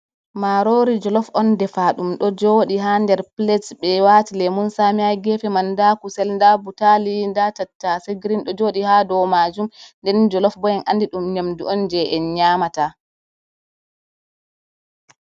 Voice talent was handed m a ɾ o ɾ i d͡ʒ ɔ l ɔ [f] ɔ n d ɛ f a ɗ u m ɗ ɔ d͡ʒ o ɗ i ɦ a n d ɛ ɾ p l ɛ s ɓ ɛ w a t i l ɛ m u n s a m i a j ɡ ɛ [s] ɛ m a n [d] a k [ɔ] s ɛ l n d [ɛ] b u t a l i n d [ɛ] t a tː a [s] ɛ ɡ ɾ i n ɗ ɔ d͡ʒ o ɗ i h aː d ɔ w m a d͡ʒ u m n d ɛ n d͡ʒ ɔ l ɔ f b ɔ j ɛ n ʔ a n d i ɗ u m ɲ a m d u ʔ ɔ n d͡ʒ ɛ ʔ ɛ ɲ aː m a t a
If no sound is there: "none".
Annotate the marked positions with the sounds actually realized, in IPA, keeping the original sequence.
f, f, d, u, a, a, s

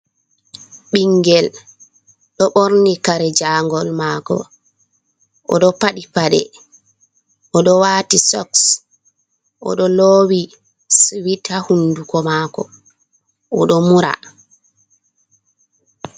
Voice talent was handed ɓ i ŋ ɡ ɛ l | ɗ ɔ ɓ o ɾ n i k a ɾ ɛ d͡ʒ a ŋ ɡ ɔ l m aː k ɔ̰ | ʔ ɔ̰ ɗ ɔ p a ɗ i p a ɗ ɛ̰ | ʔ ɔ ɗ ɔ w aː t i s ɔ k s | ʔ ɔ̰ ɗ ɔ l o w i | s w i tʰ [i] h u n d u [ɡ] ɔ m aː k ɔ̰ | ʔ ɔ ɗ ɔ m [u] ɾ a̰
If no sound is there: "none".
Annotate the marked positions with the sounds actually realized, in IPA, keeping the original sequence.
a, k, u

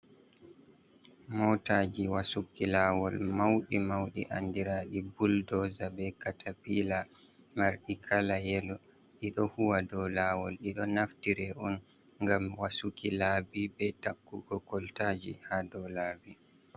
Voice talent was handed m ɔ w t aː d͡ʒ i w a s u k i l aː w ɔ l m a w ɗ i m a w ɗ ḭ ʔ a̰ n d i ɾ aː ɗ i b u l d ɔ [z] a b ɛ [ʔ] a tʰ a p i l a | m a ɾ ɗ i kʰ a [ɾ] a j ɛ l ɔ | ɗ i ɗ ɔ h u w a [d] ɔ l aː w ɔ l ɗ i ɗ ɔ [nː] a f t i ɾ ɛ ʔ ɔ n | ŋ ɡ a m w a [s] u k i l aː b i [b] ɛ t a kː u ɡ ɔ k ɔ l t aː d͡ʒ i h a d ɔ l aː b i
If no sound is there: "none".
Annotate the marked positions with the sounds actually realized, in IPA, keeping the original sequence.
z, k, l, d, n, s, b

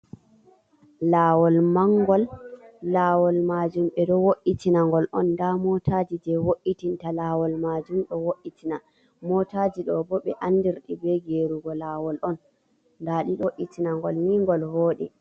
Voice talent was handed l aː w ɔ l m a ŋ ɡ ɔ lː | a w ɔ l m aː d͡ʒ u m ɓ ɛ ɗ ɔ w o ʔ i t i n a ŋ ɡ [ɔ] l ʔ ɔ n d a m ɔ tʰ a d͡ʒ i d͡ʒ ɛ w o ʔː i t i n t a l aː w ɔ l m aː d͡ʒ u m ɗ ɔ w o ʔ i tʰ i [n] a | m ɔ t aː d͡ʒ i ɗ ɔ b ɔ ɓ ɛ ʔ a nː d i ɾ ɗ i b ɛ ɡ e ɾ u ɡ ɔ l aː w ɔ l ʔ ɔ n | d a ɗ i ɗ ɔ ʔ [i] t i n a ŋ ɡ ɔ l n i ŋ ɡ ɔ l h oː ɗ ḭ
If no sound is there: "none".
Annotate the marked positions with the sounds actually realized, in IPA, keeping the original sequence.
ɔ, n, i

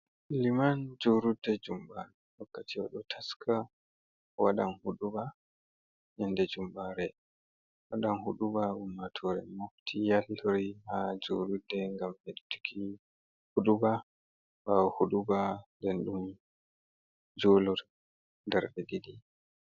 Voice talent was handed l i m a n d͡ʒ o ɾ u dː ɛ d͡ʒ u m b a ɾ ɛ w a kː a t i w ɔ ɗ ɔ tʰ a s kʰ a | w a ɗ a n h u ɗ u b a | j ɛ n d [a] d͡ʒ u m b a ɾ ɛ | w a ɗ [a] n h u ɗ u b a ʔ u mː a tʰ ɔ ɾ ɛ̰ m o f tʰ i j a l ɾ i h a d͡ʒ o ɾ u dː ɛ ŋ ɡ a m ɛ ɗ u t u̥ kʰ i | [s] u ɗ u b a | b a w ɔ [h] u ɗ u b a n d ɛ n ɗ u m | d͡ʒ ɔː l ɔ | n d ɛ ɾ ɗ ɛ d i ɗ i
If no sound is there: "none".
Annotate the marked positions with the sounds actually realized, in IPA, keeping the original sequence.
ɛ, a, h, h

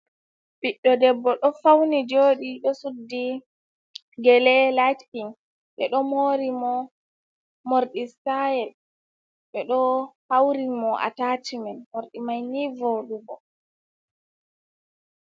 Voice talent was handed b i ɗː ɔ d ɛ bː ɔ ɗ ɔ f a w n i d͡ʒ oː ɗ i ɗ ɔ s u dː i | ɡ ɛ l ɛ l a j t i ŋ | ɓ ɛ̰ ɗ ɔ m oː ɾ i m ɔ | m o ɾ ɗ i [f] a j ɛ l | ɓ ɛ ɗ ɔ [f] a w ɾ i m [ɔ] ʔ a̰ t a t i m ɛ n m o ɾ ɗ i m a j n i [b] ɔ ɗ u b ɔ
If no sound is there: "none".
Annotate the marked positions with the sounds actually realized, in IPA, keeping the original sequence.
s, h, ɔ, v

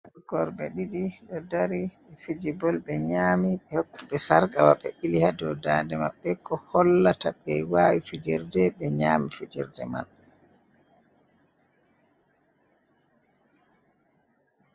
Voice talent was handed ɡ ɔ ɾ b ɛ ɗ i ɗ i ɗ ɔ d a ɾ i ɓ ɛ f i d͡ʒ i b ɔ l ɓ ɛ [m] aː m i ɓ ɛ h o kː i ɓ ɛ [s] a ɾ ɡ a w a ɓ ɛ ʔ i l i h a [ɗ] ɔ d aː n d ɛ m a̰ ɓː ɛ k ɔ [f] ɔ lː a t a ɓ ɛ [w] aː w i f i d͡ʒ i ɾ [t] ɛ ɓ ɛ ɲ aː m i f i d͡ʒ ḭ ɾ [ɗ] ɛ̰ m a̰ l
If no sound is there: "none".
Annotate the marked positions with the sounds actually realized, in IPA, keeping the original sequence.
ɲ, s, d, h, w, d, d

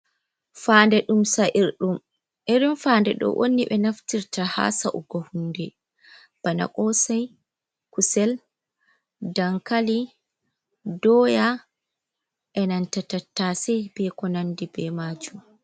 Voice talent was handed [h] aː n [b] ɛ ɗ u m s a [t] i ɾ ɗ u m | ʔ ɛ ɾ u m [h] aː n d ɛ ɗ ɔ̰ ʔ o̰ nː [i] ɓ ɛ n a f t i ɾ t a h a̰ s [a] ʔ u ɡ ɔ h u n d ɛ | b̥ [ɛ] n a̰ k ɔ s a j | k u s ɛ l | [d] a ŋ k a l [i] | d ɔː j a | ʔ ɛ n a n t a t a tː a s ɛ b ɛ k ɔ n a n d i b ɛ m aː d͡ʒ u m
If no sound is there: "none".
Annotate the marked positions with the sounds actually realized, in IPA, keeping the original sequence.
f, d, ʔ, f, i, a, a, d, i

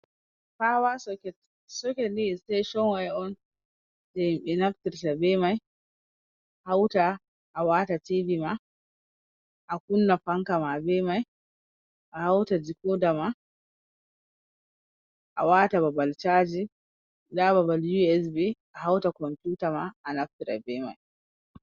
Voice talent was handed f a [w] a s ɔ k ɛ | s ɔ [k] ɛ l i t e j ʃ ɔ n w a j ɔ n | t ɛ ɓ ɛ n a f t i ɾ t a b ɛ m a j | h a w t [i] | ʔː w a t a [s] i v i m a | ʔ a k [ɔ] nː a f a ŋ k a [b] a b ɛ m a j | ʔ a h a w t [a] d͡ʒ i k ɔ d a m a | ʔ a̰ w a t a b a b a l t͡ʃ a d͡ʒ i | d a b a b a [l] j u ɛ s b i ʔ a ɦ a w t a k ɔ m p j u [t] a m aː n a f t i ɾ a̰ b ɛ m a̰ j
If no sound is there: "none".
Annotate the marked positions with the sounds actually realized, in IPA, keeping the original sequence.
w, k, a, t, u, m, a, l, t

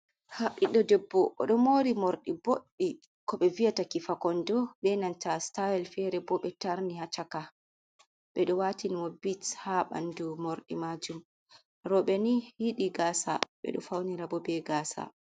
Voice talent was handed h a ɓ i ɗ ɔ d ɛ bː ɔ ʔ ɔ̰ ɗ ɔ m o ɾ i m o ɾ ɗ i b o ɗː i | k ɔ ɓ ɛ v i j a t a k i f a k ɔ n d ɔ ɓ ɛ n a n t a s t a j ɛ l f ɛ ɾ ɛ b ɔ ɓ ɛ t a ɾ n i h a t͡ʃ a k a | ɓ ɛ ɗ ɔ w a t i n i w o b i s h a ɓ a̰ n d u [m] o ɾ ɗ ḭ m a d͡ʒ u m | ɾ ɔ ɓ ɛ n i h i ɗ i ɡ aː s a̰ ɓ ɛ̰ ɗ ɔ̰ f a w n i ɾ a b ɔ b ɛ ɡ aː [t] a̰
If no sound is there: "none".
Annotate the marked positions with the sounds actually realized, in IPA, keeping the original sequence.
m, s

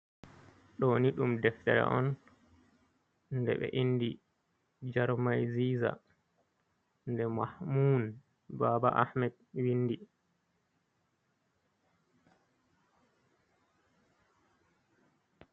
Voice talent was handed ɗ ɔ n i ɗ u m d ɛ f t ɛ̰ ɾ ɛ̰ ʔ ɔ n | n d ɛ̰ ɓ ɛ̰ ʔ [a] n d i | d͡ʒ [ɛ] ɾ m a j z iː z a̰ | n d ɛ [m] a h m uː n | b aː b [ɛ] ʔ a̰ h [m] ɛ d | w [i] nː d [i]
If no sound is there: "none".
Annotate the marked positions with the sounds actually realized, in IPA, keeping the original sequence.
i, a, m, a, m, i, i

